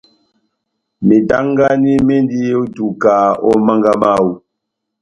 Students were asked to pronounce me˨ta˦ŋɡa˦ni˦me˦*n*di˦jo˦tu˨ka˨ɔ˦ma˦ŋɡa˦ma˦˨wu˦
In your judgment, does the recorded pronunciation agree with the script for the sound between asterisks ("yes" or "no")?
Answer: yes